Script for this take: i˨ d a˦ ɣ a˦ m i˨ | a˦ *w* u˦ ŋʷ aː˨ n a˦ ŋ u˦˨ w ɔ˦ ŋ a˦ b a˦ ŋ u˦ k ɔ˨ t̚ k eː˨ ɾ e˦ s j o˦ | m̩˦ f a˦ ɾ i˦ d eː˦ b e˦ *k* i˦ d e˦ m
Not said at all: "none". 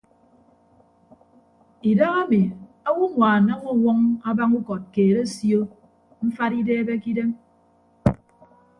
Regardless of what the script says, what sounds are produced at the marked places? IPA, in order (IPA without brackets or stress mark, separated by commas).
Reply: w, k